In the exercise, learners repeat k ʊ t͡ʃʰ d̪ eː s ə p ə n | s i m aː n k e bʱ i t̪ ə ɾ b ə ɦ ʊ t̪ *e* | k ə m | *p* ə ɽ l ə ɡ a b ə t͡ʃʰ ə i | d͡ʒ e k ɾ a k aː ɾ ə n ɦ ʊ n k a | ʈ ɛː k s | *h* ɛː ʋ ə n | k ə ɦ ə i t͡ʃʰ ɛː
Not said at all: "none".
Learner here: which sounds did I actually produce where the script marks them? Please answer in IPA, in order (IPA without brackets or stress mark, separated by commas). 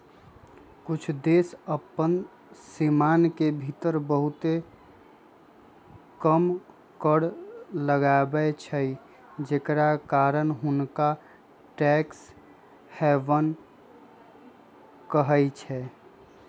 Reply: e, k, h